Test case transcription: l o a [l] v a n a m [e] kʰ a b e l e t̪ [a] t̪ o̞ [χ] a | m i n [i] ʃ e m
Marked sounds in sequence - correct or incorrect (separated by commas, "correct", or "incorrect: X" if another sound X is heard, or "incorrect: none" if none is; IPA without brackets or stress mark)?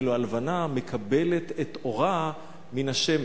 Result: correct, correct, incorrect: e, incorrect: ʁ, incorrect: a